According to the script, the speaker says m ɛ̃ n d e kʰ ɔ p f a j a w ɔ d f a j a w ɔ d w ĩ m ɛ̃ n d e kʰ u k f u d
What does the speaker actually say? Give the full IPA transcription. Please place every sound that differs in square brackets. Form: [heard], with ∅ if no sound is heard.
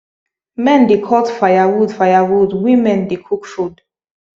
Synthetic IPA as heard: m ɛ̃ n d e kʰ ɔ [t] f a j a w [u] d f a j a w [u] d w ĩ m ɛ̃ n d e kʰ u k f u d

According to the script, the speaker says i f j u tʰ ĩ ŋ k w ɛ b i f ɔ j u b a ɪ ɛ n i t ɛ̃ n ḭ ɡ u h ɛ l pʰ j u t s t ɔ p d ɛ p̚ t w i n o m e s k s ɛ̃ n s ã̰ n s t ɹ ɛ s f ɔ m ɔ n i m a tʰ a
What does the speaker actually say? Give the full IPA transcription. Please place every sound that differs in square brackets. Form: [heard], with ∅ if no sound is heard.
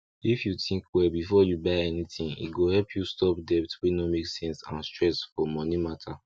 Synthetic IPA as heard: i f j u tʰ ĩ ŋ k w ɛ b i f ɔ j u b a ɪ ɛ n i t [ĩ] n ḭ ɡ [o] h ɛ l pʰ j u [∅] s t ɔ p d ɛ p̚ t w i n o m e [∅] k s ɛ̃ n s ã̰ n s t ɹ ɛ s f ɔ m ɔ n i m a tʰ a

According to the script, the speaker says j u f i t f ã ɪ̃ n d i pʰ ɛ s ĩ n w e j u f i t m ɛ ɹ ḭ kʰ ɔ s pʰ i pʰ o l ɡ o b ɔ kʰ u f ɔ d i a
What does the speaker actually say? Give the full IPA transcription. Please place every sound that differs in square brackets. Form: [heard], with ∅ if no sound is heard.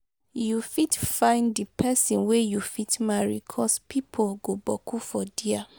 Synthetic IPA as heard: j u f i t f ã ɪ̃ n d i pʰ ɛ s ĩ n w e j u f i t m [a] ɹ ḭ kʰ ɔ s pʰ i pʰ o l ɡ o b ɔ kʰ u f ɔ d i a

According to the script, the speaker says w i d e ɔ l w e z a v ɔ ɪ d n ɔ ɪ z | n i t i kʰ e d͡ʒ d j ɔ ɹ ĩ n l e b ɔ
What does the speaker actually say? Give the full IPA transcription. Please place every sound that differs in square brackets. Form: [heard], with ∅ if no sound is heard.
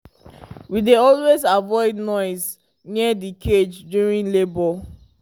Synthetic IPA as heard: w i d e ɔ l w e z a v ɔ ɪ d n ɔ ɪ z | n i [d] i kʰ e d͡ʒ d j [u] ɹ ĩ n l e b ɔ

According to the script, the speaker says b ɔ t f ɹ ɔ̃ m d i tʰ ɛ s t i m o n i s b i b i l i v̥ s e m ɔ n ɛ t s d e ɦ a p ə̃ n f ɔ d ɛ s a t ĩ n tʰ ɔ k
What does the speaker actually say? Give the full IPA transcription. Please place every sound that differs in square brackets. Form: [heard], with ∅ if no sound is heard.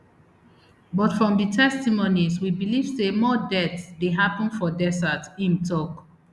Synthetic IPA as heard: b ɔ t f ɹ ɔ̃ m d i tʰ ɛ s t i m o n i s [w] i b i l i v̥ s e m ɔ [d] ɛ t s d e ɦ a p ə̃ n f ɔ d ɛ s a t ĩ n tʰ ɔ k

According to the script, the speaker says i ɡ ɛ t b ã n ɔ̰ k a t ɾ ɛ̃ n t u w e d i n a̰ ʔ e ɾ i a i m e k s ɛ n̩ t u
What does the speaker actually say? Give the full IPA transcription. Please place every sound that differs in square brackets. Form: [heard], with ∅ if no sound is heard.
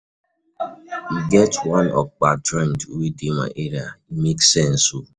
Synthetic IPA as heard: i ɡ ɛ t [w] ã n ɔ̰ [k͡p] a t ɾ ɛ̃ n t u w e d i [m] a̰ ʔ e ɾ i a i m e k s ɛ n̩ [s] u

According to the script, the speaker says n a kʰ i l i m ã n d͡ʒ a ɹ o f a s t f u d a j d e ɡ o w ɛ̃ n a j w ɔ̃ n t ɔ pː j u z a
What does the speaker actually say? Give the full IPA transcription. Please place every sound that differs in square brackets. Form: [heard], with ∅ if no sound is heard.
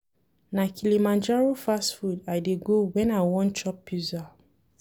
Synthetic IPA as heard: n a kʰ i l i m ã n d͡ʒ a ɹ o f a s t f u d a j d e ɡ o w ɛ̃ n a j w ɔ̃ n [t͡ʃ] ɔ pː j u z a

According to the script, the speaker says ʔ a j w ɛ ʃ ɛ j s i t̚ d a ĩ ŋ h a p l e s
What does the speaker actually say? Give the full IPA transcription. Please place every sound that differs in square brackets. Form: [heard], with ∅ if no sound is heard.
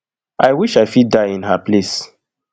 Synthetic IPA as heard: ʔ a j w [i] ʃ [a] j [f] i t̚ d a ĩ [n] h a p l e s

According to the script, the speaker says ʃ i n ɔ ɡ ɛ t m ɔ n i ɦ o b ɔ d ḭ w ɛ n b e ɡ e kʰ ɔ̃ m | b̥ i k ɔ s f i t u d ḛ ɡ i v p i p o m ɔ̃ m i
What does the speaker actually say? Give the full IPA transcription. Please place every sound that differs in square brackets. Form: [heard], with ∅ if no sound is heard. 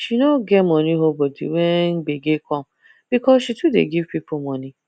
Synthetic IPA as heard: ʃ i n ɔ ɡ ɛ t m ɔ n i ɦ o b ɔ d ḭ w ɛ n b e ɡ e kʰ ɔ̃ m | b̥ i k ɔ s [ʃ] i t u d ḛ ɡ i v p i p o m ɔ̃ [n] i

